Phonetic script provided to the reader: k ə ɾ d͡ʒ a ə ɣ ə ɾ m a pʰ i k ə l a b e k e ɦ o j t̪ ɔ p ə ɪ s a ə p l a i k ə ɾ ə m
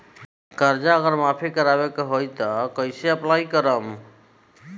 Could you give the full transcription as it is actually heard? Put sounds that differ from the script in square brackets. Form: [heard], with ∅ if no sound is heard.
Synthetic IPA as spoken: k ə ɾ d͡ʒ a ə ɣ ə ɾ m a pʰ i k ə [ɾ] a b e k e ɦ o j t̪ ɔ [k] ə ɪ s [e] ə p l a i k ə ɾ ə m

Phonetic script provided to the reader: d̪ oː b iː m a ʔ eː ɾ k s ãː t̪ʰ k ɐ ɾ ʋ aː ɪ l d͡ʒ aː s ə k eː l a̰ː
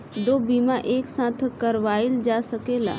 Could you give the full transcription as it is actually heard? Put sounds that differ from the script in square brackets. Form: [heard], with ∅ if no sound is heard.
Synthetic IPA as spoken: d̪ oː b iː m a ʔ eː [∅] k s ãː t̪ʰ k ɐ ɾ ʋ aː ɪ l d͡ʒ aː s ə k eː l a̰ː

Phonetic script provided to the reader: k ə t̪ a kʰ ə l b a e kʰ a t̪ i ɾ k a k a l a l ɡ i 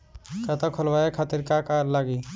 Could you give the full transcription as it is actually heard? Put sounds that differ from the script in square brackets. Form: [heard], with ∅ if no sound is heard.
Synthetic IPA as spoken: k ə t̪ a kʰ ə l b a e kʰ a t̪ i ɾ k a k a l a [∅] ɡ i

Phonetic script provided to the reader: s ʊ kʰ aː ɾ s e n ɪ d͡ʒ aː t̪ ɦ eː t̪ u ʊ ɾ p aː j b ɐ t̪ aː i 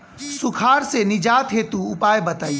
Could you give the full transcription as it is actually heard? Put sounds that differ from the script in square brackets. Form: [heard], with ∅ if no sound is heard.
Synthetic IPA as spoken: s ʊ kʰ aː ɾ s e n ɪ d͡ʒ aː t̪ ɦ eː t̪ u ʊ [∅] p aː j b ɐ t̪ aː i

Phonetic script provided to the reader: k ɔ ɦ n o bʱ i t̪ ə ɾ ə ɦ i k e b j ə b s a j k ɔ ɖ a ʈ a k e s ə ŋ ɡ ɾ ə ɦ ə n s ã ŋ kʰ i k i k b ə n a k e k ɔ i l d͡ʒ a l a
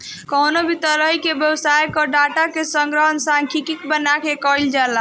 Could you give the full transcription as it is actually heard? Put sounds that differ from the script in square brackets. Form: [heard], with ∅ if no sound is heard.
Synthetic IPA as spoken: k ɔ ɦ n o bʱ i t̪ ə ɾ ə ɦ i k e b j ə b s a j k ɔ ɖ a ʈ a k e s ə ŋ ɡ ɾ ə ɦ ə n s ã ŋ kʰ i k i k b ə n a k e k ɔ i l d͡ʒ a l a

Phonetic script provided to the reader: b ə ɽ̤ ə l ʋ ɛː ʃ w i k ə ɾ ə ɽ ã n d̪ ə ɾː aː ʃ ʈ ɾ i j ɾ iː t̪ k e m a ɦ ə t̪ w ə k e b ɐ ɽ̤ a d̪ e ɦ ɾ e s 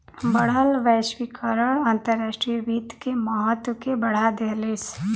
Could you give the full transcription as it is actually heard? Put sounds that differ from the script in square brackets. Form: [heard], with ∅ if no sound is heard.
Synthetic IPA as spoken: b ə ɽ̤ ə l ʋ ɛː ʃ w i k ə ɾ ə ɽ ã n [t̪] ə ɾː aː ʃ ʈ ɾ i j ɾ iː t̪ k e m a ɦ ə t̪ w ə k e b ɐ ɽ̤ a d̪ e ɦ [l] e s

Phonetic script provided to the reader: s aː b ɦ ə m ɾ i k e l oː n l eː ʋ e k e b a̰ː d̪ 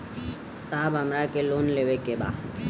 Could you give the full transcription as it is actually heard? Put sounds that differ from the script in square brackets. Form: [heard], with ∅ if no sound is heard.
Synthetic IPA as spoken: s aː b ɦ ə m ɾ [a] k e l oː n l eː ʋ e k e b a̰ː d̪

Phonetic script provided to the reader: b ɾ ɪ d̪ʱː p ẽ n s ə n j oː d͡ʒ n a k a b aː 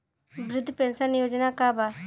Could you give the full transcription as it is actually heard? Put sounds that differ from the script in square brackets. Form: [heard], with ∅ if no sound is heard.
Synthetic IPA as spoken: b ɾ ɪ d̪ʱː p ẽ n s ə n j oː d͡ʒ n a k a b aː

